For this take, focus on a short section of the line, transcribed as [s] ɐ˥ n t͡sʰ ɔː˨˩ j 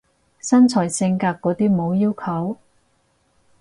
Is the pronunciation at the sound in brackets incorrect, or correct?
correct